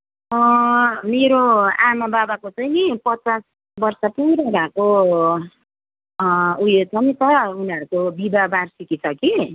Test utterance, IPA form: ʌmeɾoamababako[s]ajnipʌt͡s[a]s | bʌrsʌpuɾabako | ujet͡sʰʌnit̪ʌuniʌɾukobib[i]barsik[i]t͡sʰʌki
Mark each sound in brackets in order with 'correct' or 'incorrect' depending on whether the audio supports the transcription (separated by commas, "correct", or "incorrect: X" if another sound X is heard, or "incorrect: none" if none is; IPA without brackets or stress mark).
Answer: incorrect: t͡s, correct, incorrect: a, correct